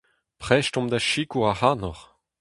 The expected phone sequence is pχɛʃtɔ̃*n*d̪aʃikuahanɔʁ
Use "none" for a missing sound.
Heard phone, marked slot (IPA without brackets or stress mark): m